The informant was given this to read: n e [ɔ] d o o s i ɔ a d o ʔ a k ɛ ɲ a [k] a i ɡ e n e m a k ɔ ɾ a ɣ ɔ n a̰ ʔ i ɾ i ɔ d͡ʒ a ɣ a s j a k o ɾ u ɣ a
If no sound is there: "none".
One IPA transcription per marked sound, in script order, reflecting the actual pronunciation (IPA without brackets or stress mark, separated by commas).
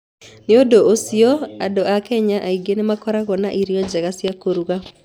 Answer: o, ʔ